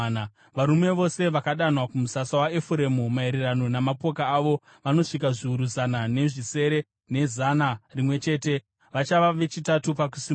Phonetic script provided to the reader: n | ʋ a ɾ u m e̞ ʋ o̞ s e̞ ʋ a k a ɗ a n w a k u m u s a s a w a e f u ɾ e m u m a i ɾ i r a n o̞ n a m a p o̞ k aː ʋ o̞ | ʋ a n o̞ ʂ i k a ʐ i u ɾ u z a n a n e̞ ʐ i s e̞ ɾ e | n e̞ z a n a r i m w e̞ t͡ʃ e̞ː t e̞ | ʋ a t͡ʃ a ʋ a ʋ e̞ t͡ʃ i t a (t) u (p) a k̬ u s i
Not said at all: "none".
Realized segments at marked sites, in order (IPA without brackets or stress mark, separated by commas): t, p